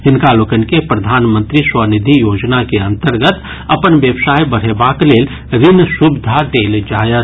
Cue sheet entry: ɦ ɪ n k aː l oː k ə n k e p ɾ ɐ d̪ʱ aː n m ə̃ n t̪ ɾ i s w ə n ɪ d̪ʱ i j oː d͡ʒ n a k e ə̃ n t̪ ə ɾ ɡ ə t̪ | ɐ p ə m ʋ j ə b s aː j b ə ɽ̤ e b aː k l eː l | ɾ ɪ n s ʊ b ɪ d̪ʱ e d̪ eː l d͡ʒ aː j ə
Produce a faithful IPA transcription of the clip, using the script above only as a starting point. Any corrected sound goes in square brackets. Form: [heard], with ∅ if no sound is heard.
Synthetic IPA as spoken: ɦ ɪ n k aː l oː k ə n k e p ɾ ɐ d̪ʱ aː n m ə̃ n t̪ ɾ i s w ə n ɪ d̪ʱ i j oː d͡ʒ n a k e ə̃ n t̪ ə ɾ ɡ ə t̪ | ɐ p ə [n] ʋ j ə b s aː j b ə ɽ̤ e b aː k l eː l | ɾ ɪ n s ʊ b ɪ d̪ʱ [a] d̪ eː l d͡ʒ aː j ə